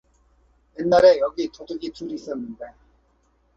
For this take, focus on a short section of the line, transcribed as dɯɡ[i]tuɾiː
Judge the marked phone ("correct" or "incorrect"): correct